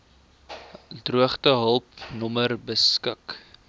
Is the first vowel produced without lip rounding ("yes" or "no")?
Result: no